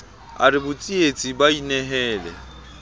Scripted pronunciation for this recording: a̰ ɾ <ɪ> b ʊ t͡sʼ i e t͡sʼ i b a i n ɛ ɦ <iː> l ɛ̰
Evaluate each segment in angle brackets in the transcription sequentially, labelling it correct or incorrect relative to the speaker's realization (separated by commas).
correct, incorrect